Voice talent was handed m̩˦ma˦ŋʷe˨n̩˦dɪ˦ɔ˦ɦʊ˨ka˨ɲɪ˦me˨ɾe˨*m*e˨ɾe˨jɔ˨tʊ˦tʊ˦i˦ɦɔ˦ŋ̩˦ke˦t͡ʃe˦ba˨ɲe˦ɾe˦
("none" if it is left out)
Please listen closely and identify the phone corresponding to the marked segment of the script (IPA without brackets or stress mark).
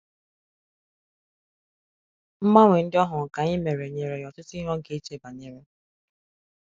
ɲ